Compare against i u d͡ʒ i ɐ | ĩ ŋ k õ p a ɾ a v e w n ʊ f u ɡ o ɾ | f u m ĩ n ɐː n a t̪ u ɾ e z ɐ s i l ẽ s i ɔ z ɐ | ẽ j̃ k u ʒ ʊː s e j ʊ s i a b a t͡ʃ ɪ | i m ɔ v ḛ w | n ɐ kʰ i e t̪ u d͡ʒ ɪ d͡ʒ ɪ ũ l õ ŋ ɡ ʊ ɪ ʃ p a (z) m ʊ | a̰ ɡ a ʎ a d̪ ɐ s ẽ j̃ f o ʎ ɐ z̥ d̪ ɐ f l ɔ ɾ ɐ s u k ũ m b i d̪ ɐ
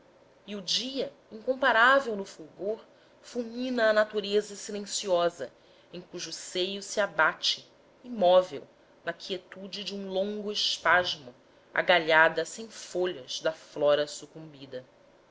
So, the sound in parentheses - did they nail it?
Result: no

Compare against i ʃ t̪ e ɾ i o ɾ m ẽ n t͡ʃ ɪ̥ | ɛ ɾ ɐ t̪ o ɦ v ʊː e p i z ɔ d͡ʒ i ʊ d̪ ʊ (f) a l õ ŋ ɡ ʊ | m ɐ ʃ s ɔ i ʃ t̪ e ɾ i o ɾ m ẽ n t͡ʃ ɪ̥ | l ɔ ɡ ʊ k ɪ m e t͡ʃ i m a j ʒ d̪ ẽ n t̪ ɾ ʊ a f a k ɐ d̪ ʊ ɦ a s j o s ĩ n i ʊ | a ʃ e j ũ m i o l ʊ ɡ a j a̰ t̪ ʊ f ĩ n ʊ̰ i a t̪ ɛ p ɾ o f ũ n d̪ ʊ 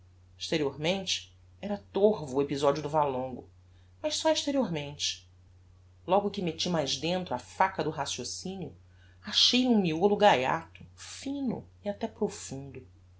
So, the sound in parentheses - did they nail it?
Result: no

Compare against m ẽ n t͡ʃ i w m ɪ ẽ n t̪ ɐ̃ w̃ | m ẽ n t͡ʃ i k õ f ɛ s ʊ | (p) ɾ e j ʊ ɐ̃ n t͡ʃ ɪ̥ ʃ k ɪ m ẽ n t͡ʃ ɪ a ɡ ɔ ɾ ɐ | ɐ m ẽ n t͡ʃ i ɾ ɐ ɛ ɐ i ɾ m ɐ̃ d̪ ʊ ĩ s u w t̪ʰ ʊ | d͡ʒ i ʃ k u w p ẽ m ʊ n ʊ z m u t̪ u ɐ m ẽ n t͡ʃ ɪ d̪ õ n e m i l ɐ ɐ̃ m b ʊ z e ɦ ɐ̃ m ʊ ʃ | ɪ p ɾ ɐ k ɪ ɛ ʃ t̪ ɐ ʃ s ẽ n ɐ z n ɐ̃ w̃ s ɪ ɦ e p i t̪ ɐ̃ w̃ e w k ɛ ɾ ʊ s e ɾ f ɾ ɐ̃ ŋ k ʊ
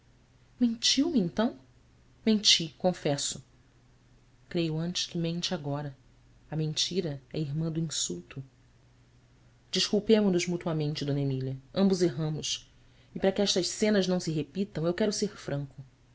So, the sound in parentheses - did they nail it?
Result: no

